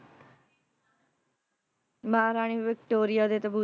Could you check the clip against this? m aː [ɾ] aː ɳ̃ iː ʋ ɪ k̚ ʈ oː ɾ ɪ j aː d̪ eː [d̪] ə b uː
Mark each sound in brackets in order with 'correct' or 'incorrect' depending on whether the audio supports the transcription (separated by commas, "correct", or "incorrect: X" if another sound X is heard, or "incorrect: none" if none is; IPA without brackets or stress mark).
correct, incorrect: t̪